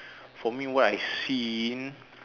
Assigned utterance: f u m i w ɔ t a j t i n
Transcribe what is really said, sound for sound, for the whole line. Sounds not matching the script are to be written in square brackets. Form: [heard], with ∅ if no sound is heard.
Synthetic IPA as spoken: f [ɔ] m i w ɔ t a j [s] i n